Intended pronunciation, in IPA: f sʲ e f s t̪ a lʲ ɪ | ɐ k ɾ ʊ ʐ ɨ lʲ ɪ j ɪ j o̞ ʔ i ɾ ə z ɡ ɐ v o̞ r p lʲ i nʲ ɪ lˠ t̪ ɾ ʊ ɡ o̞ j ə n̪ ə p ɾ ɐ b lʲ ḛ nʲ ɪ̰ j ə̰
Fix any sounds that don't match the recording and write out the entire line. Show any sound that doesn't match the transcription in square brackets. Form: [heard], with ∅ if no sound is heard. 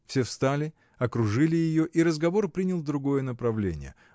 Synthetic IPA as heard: f sʲ e f s t̪ a lʲ ɪ | ɐ k ɾ ʊ ʐ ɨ lʲ ɪ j ɪ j o̞ ʔ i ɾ ə z ɡ ɐ v o̞ r p [ɾʲ] i nʲ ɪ lˠ [d̪] ɾ ʊ ɡ o̞ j ə n̪ ə p ɾ ɐ [v] lʲ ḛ nʲ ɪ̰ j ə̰